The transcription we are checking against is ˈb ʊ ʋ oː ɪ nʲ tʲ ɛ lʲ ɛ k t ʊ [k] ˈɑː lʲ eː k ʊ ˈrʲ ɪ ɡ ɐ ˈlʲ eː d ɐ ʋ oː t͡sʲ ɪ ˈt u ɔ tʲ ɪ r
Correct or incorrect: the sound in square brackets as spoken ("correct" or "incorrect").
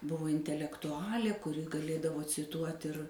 incorrect